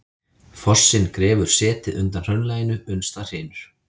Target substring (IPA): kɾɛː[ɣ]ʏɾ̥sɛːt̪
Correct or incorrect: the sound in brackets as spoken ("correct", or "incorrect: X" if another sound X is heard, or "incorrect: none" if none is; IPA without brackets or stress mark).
incorrect: v